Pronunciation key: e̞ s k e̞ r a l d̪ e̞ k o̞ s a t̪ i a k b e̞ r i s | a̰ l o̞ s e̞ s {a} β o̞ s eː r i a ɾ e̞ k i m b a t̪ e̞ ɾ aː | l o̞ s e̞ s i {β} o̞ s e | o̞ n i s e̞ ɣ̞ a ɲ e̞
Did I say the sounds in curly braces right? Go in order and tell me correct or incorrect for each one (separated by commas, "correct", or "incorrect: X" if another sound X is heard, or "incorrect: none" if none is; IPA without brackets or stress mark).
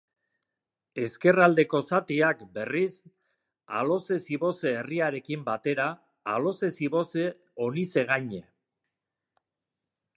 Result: incorrect: i, correct